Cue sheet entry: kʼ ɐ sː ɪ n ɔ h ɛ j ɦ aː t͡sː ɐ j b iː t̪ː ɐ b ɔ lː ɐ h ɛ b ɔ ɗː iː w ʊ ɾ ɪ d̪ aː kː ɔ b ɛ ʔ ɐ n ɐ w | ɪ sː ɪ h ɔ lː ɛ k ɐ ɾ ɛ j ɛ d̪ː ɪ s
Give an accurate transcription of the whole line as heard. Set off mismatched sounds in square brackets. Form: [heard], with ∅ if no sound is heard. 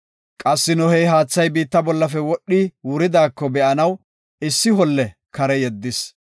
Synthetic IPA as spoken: kʼ ɐ sː ɪ n ɔ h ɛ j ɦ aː t͡sː ɐ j b iː t̪ː ɐ b ɔ lː ɐ [f] ɛ [w] ɔ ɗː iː w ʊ ɾ ɪ d̪ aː kː ɔ b ɛ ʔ ɐ n ɐ w | ɪ sː ɪ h ɔ lː ɛ k ɐ ɾ ɛ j ɛ d̪ː ɪ s